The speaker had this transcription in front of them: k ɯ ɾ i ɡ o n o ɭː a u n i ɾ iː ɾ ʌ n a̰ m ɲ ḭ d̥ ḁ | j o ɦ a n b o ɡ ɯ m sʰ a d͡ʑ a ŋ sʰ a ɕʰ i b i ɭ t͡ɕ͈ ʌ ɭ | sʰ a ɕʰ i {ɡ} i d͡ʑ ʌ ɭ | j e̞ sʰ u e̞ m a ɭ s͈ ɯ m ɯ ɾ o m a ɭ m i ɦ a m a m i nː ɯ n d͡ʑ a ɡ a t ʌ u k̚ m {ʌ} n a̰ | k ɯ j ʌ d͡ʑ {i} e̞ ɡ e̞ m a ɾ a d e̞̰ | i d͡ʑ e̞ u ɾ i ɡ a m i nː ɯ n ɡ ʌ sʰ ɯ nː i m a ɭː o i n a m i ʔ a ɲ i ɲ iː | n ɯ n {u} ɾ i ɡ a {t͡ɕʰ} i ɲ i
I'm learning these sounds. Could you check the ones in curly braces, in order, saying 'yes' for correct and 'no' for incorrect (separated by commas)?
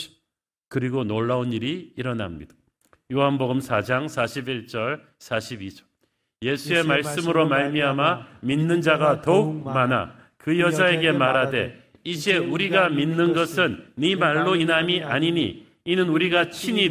no, no, no, yes, yes